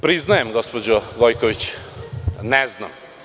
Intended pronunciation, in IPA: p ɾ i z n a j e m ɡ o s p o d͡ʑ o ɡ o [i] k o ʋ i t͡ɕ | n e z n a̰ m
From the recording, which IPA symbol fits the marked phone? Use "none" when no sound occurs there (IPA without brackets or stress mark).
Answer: j